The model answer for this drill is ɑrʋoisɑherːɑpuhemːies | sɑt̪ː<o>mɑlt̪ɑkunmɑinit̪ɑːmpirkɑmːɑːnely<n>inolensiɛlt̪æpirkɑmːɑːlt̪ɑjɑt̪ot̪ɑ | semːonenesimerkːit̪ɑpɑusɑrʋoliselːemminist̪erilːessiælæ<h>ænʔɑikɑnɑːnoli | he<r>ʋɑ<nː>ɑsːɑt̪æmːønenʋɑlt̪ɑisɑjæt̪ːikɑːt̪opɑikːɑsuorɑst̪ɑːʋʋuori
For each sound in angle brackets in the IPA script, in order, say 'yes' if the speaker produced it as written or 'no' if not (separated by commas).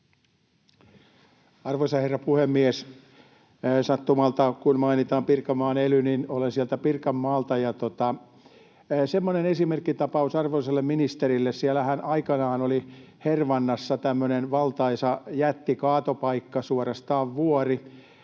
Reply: no, yes, yes, yes, yes